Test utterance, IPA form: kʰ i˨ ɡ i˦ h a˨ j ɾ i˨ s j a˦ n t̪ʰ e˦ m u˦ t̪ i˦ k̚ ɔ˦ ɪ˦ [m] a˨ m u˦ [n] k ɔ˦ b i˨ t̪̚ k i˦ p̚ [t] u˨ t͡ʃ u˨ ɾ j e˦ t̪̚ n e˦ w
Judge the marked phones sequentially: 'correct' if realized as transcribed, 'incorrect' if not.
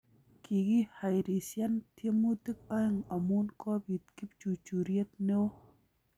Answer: incorrect: ŋ, correct, incorrect: t͡ʃ

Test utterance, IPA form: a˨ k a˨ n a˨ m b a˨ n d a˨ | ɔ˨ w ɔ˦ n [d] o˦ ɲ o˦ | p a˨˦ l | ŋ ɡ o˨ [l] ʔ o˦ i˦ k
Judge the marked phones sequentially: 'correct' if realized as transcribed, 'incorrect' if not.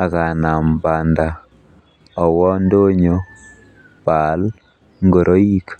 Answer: correct, incorrect: ɾ

